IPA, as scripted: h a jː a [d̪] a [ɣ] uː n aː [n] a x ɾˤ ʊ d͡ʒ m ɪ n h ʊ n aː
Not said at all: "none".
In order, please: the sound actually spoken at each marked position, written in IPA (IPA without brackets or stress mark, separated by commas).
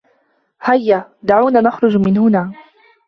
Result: d̪, ʕ, n